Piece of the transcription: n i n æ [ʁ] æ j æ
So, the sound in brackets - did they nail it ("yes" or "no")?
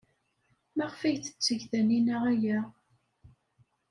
yes